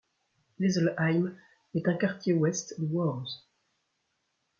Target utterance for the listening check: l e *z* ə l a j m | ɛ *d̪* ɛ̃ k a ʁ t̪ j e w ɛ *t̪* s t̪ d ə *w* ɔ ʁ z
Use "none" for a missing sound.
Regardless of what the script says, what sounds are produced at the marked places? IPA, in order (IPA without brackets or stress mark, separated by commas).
z, t̪, none, w